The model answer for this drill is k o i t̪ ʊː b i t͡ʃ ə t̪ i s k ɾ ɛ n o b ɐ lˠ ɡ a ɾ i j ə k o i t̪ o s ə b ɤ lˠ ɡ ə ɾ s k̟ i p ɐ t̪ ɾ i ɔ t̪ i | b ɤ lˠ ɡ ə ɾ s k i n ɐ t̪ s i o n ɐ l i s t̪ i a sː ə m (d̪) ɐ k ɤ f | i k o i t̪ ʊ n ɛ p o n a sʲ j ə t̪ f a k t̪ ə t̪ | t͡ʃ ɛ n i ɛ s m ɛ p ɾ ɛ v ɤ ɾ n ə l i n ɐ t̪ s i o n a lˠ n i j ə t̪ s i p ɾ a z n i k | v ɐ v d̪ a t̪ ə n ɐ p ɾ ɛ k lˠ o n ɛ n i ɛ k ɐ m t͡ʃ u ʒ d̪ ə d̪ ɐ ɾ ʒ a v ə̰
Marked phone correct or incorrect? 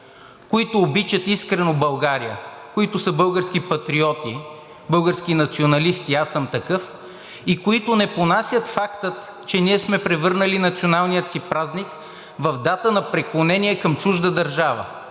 incorrect